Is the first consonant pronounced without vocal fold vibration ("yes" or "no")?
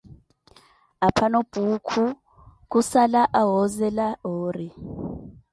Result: yes